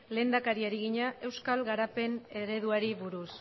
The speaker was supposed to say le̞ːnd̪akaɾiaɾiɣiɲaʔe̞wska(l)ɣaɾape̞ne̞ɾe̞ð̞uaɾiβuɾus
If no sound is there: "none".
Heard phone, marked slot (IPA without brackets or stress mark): l